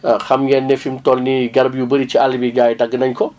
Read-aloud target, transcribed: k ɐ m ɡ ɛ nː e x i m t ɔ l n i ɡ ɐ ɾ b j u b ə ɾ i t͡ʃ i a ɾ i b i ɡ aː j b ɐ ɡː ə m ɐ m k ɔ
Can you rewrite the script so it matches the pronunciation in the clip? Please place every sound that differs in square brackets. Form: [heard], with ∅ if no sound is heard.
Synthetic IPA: [x] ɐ m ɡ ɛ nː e [f] i m t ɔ l n i ɡ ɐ ɾ b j u b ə ɾ i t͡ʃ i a [l] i b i ɡ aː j [d] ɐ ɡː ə [n] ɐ [ɲ] k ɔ